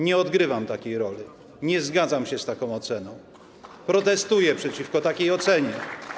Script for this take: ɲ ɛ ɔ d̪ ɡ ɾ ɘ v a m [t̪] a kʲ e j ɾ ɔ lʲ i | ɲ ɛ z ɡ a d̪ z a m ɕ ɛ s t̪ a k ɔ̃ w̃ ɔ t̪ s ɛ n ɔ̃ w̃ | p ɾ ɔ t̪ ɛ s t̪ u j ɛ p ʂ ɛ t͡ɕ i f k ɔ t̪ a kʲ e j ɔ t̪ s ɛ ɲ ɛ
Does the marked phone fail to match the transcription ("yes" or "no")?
no